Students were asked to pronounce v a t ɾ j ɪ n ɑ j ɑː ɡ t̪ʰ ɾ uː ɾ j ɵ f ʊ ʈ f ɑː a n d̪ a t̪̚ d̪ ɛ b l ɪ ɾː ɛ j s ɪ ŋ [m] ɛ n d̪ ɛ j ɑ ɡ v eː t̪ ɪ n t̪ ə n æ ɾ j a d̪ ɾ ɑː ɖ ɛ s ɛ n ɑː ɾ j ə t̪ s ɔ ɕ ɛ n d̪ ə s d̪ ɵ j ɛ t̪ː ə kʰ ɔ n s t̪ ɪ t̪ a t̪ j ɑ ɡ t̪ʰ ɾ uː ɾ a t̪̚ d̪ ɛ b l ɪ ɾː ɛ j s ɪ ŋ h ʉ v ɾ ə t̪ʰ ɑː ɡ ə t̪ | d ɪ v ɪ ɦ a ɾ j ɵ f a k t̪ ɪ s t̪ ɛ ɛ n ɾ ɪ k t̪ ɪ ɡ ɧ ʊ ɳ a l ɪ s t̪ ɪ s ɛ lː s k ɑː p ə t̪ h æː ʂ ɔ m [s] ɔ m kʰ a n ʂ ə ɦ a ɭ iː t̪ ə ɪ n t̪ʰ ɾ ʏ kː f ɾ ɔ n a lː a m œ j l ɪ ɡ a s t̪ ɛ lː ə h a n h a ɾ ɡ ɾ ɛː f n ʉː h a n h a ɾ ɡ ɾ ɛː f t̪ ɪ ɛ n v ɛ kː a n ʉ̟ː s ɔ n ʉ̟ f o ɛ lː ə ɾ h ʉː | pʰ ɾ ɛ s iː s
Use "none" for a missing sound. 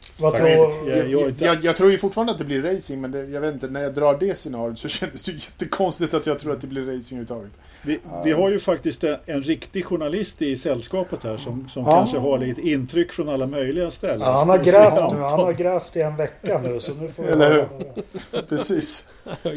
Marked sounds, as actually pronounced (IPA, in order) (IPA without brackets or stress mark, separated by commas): m, s